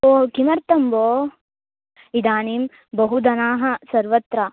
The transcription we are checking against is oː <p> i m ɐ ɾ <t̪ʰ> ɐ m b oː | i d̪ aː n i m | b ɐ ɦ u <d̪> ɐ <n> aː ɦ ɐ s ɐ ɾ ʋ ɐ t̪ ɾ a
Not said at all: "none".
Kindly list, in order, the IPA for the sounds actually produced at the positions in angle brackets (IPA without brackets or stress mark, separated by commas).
k, t̪, d̪, n